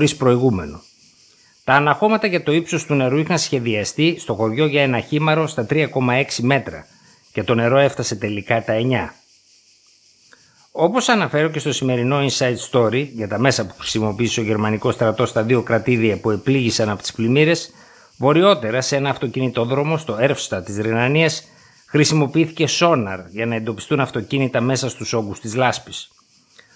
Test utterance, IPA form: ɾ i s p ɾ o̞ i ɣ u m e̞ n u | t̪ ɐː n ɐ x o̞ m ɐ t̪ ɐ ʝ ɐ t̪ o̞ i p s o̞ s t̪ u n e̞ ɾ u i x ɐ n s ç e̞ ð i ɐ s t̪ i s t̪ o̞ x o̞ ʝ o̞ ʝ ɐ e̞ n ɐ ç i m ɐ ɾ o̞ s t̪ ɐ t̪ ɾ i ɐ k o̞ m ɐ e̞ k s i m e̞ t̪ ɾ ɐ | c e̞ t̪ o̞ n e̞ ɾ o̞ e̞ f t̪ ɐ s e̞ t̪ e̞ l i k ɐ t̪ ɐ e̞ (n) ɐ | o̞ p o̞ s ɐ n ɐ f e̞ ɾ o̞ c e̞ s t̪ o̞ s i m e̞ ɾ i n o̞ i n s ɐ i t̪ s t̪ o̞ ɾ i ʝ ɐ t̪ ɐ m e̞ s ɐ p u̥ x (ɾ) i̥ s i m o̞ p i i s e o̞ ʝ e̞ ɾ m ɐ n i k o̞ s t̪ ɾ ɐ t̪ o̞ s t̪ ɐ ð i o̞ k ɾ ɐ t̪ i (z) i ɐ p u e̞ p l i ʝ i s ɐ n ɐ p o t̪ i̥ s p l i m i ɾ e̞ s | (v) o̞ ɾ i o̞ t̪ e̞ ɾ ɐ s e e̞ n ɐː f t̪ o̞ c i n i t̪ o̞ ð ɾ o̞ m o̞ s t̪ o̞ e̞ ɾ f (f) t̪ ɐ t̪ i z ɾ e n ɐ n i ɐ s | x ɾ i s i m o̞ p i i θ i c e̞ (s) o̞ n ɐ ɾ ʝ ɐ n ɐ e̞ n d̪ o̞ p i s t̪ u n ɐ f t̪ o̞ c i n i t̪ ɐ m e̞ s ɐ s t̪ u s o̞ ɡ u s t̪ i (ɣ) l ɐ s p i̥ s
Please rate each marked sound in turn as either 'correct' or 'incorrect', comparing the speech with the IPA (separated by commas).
incorrect, correct, incorrect, correct, incorrect, correct, incorrect